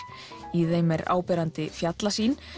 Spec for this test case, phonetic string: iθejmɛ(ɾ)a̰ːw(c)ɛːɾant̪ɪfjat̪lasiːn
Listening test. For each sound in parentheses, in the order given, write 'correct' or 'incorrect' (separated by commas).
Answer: correct, incorrect